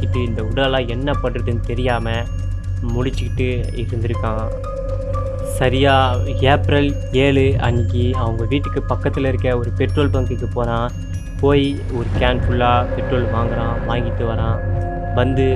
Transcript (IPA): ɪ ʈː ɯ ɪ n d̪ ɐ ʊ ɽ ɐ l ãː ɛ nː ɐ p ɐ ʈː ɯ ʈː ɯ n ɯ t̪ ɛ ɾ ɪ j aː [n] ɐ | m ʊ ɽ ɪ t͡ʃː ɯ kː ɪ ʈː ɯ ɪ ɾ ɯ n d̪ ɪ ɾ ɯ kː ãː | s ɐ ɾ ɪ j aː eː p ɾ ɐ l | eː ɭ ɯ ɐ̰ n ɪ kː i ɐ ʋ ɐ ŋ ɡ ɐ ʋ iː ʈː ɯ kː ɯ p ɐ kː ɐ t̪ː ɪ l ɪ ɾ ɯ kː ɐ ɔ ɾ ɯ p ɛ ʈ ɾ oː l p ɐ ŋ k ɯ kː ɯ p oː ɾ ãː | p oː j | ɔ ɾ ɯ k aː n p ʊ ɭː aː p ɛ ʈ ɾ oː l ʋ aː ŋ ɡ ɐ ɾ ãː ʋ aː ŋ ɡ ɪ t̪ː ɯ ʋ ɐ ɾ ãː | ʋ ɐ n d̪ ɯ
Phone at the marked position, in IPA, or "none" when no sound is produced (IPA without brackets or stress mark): m